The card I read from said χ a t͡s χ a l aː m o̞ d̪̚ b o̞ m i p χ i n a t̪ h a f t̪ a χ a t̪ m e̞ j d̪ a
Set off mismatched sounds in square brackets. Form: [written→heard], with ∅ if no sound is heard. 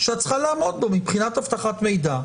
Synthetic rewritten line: [χ→ʃ] a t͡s χ a l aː m o̞ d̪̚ b o̞ m i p χ i n a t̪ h a f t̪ a χ a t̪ m e̞ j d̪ a